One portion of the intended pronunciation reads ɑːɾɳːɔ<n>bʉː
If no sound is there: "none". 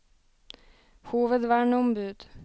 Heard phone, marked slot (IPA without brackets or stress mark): m